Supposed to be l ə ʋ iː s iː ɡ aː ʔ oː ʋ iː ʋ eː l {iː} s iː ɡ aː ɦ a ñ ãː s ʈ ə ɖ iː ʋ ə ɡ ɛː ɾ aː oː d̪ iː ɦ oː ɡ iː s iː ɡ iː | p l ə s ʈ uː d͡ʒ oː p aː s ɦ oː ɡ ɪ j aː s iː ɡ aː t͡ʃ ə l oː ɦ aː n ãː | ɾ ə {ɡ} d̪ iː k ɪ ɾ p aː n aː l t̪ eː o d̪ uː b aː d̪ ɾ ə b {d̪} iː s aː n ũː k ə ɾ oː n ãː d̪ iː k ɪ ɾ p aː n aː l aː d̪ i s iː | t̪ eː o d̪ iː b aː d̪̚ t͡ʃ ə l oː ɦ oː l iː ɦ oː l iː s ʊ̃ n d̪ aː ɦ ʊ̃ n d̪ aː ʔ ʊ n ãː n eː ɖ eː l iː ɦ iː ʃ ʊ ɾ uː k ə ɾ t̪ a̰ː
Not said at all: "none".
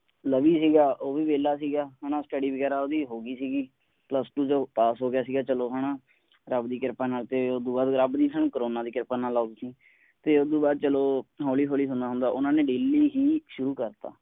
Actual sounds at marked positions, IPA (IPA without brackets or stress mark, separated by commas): aː, b, d̪